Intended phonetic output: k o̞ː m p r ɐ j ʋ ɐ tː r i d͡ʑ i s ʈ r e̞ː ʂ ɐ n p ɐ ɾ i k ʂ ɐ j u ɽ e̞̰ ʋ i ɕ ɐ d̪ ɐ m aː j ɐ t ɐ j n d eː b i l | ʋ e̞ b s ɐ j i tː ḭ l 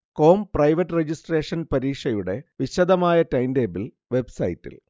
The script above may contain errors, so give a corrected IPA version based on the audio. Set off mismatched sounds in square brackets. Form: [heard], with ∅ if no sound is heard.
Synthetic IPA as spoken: k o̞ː m p r ɐ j ʋ ɐ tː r [e] d͡ʑ i s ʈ r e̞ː ʂ ɐ n p ɐ ɾ [iː] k ʂ ɐ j u ɽ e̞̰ ʋ i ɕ ɐ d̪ ɐ m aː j ɐ t ɐ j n d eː b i l | ʋ e̞ b s ɐ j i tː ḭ l